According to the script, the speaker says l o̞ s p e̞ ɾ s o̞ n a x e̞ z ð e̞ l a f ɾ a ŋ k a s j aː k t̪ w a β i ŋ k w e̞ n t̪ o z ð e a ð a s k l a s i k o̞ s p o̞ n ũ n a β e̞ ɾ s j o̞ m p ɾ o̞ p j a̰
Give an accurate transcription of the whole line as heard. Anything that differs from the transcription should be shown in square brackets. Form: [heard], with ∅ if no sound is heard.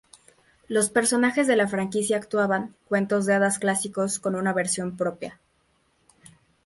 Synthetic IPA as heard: l o̞ s p e̞ ɾ s o̞ n a x e̞ z ð e̞ l a f ɾ a ŋ k [i] s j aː k t̪ w a β [a] ŋ k w e̞ n t̪ o z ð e a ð a s k l a s i k o̞ s [k] o̞ n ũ n a β e̞ ɾ s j o̞ m p ɾ o̞ p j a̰